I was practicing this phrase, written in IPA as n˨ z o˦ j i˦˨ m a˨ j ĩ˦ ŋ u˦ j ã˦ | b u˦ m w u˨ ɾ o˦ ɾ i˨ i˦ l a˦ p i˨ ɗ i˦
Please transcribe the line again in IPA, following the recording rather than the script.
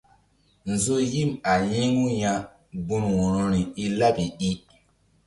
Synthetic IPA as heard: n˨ z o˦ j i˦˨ m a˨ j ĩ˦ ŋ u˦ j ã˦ | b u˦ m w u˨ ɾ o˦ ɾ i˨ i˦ l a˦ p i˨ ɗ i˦